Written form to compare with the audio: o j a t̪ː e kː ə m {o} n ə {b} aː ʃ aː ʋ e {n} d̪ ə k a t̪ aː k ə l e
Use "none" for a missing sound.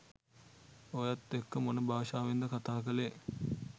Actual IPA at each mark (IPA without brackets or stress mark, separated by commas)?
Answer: o, b, n